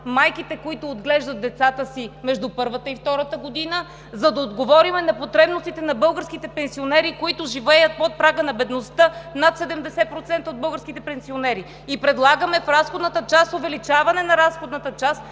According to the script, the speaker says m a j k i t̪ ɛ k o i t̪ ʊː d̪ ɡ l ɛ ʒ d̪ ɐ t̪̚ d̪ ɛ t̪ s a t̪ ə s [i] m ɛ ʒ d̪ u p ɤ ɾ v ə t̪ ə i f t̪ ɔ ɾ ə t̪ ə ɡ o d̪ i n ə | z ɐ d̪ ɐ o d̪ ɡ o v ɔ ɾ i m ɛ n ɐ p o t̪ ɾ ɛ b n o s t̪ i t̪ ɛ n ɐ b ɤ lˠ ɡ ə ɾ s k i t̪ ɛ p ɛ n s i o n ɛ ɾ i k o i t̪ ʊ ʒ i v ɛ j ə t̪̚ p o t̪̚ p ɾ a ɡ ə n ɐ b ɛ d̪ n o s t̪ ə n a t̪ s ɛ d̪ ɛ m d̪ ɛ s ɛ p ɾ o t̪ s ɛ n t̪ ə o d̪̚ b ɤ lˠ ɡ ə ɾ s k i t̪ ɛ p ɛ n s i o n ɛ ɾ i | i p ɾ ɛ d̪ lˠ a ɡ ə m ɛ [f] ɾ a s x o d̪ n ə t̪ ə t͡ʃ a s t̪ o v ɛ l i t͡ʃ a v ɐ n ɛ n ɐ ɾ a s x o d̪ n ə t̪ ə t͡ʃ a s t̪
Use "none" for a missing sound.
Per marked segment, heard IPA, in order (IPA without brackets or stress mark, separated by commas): i, f